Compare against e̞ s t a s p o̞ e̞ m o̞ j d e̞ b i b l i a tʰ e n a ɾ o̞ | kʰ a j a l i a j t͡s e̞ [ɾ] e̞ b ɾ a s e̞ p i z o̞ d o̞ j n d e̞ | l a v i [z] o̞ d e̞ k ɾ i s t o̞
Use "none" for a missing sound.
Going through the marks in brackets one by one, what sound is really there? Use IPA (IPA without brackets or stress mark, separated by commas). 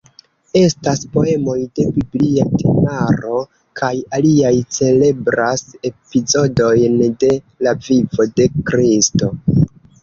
l, v